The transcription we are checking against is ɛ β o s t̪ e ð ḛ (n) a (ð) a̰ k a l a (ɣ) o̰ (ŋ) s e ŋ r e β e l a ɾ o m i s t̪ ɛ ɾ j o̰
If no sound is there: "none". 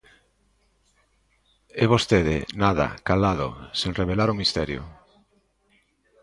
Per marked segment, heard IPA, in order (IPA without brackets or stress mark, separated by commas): n, ð, ð, none